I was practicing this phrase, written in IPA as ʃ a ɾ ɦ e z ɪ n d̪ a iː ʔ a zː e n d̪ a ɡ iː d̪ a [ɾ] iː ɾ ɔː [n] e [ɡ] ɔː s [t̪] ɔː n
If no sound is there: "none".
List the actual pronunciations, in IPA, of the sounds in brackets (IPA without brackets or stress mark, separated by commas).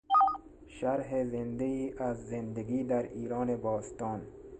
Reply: ɾ, n, b, t̪